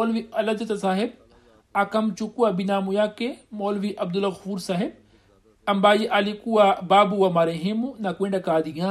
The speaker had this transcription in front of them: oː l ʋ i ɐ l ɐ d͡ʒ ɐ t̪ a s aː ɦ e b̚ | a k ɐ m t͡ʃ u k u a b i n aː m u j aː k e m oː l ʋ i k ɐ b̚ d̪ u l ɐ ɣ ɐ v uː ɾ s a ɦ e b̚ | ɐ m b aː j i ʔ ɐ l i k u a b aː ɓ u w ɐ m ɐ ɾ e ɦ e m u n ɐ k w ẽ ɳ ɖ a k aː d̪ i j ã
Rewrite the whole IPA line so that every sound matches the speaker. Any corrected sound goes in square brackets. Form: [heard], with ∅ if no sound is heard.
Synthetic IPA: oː l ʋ i ɐ l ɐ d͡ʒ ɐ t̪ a s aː ɦ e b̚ | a k ɐ m t͡ʃ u k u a b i n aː m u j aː k e m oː l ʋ i [ʔ] ɐ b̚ d̪ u l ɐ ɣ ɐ [f] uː ɾ s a ɦ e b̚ | ɐ m b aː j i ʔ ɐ l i k u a b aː [b] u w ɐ m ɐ ɾ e ɦ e m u n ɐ k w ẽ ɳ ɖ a k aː d̪ i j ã